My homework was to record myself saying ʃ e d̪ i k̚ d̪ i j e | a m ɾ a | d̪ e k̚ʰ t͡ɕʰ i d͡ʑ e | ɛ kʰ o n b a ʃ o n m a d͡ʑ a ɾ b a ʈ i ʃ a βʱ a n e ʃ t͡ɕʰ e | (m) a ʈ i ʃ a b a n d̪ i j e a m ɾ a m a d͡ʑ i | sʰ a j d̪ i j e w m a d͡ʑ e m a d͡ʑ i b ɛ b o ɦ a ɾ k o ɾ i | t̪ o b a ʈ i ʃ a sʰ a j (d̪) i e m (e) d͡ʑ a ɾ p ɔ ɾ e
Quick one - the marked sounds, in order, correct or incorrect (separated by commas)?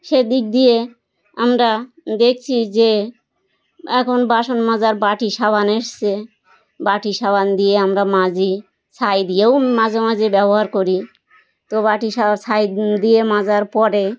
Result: incorrect, correct, incorrect